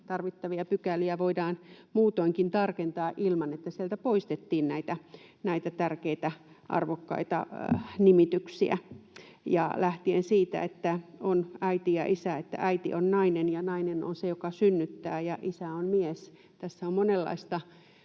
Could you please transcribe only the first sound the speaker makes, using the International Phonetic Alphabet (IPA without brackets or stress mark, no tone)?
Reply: t̪